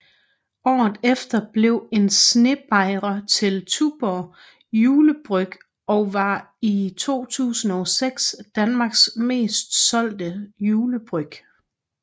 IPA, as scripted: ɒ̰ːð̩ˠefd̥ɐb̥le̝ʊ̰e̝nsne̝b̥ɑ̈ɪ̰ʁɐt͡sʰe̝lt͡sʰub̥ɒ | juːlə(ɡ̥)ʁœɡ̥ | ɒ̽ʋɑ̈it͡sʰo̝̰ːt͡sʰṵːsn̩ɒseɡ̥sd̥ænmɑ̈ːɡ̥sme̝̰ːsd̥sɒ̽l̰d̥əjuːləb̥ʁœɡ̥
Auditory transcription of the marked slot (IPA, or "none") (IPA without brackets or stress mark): b̥